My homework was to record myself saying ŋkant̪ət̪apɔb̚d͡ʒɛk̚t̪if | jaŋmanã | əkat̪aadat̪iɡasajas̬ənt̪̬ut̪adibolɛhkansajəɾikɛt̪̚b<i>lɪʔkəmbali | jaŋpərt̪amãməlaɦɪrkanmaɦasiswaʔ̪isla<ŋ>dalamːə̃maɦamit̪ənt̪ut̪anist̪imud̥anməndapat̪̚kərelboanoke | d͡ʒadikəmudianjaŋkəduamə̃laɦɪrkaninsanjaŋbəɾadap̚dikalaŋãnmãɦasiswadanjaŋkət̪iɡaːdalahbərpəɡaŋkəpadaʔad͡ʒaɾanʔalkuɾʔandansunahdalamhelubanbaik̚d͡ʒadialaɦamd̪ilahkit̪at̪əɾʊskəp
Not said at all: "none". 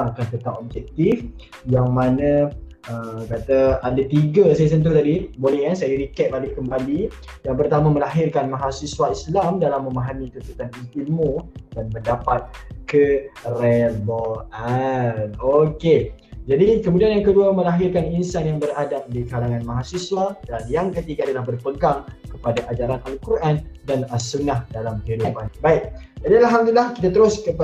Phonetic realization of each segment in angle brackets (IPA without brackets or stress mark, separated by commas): a, m